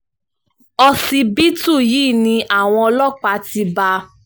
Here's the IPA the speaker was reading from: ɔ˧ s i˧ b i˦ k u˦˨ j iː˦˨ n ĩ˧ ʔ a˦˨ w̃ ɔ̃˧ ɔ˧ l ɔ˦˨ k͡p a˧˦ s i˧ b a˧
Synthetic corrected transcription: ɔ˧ s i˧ b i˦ t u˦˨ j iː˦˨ n ĩ˧ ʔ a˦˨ w̃ ɔ̃˧ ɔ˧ l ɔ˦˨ k͡p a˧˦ t i˧ b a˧